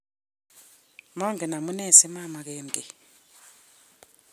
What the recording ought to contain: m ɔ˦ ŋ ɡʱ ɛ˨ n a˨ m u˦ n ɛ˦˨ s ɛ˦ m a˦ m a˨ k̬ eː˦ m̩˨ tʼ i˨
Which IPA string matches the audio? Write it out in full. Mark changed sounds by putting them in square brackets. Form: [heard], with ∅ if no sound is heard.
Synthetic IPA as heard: m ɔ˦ ŋ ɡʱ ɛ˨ n a˨ m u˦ n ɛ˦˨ s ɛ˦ m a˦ m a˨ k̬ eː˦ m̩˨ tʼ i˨

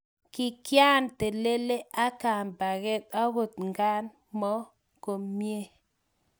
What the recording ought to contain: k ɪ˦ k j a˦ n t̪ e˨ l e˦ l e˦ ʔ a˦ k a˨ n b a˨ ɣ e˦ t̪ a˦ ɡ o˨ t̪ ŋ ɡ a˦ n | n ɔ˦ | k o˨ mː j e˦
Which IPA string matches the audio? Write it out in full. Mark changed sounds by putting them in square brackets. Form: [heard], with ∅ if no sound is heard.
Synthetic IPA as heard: k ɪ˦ k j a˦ n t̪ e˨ l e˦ l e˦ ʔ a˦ k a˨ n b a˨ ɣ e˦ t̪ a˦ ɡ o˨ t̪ ŋ ɡ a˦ n | [m] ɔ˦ | k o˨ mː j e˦

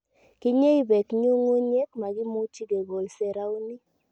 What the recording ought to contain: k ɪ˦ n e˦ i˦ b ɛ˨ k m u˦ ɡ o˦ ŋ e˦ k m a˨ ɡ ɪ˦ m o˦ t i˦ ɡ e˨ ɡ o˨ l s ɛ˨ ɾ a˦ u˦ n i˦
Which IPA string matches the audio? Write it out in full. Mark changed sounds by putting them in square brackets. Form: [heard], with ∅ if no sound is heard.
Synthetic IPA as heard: k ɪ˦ [ɲ] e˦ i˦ b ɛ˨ k [ɲ] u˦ [ŋ] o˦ [ɲ] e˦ k m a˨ ɡ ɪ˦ m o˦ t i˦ ɡ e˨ ɡ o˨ l s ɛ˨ ɾ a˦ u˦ n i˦

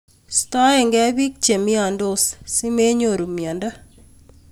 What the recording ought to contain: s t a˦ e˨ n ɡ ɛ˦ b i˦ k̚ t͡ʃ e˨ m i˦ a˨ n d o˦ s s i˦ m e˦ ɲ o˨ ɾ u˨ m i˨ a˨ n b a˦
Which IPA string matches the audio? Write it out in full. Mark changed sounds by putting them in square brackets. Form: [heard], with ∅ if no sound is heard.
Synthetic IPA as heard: s t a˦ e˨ [ŋ] ɡ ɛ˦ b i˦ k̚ t͡ʃ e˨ m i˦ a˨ n d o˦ s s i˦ m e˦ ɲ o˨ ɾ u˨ m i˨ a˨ n [d] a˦

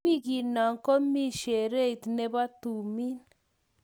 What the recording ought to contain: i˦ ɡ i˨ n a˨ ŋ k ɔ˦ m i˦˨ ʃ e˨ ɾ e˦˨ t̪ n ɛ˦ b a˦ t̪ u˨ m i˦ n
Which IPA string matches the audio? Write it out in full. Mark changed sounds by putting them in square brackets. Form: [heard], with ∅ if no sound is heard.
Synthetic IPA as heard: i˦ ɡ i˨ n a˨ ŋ k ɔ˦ m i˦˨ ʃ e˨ ɾ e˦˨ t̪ n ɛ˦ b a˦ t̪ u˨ m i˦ n

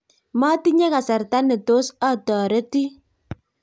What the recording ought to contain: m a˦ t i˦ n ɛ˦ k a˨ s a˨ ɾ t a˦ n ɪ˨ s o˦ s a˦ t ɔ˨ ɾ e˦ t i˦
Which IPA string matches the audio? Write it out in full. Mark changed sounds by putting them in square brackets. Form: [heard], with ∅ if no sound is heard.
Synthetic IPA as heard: m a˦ t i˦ [ɲ] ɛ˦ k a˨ s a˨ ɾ t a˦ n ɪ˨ [t] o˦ s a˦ t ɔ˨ ɾ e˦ t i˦

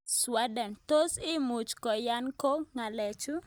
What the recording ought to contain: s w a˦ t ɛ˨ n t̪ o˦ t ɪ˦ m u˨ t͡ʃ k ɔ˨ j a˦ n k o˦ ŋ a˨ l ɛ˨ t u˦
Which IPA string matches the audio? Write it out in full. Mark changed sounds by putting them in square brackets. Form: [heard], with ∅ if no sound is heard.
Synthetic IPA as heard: s w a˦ [d] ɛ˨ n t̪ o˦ [s] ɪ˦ m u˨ t͡ʃ k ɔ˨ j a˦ n k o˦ ŋ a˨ l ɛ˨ [t͡ʃ] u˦

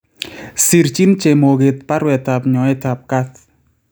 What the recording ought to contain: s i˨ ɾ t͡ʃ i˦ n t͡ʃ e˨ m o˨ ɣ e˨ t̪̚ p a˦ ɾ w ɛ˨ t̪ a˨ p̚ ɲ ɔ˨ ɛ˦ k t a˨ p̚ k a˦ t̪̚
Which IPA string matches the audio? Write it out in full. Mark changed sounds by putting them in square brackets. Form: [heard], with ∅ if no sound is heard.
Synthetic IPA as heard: s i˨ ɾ t͡ʃ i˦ n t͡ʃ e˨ m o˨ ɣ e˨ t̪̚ p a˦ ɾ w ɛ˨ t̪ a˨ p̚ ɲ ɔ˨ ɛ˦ [∅] t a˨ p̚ k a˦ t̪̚

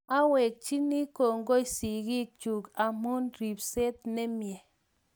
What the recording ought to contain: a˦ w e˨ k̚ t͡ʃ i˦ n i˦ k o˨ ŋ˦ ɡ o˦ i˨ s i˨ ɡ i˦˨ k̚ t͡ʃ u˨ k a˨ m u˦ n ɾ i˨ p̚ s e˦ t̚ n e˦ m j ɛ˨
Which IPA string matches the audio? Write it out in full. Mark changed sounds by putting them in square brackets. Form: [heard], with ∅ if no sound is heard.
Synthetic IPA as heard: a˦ w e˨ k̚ t͡ʃ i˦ n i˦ k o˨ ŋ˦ ɡ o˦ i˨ s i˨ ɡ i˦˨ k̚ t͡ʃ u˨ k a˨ m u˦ n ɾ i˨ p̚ s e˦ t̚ n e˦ m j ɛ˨

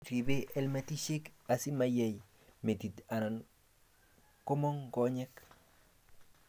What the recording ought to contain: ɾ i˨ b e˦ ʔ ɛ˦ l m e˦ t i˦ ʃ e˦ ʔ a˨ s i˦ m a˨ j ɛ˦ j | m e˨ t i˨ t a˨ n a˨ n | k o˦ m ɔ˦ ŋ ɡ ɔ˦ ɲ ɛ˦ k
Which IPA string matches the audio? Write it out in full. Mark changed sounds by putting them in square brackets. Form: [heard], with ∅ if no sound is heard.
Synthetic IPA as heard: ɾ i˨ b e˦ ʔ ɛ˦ l m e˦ t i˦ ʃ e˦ [k] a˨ s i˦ m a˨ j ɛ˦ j | m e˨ t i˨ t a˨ n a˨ n | k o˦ m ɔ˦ ŋ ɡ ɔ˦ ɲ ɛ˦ k

